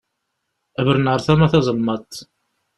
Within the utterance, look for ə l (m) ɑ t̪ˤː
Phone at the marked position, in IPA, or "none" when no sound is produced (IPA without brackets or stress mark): m